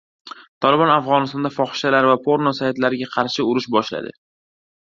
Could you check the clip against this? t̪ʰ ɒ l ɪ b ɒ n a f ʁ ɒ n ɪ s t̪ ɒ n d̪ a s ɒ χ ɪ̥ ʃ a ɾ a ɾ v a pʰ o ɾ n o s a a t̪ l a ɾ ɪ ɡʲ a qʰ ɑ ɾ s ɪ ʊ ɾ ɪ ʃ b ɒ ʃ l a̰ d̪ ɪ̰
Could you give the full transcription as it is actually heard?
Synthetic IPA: t̪ʰ ɒ l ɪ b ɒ n a f ʁ ɒ n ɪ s t̪ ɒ n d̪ a f ɒ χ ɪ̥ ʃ a l a ɾ v a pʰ o ɾ n o s a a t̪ l a ɾ ɪ ɡʲ a qʰ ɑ ɾ ʃ ɪ ʊ ɾ ɪ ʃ b ɒ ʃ l a̰ d̪ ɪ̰

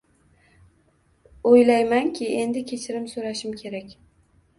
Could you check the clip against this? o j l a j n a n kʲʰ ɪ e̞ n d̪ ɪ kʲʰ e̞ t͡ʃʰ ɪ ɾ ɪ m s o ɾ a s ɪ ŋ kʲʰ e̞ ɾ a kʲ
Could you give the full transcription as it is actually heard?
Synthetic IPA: o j l a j m a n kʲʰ ɪ e̞ n d̪ ɪ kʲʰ e̞ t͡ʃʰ ɪ ɾ ɪ m s o ɾ a ʃ ɪ m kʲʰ e̞ ɾ a kʲ

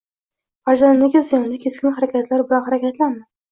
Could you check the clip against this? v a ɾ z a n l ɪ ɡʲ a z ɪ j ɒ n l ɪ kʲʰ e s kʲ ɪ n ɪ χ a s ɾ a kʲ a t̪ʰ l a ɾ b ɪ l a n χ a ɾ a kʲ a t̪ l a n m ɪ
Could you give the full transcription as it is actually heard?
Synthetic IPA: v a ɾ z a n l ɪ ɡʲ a z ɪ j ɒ n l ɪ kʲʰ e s kʲ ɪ n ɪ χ a ɾ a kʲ a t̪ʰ l a ɾ b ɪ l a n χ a ɾ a kʲ a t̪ l a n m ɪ

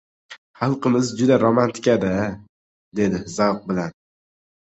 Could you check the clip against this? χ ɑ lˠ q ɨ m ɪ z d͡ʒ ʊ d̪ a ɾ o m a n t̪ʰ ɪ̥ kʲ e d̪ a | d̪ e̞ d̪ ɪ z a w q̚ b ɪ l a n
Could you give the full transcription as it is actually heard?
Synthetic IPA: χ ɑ lˠ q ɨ m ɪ z d͡ʒ ʊ d̪ a ɾ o m a n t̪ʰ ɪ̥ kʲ a d̪ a | d̪ e̞ d̪ ɪ z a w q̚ b ɪ l a n

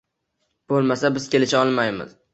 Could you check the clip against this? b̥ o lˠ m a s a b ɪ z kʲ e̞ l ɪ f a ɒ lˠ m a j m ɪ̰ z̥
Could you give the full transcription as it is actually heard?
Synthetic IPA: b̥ o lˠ m a s a b ɪ z kʲ e̞ l ɪ ʃ a ɒ lˠ m a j m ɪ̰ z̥

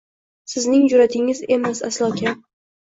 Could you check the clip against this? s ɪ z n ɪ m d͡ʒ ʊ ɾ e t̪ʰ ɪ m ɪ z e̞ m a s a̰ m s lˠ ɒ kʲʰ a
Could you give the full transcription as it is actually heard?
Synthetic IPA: s ɪ z n ɪ ŋ d͡ʒ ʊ ɾ a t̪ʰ ɪ ŋ ɪ z e̞ m a s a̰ s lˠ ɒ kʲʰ a

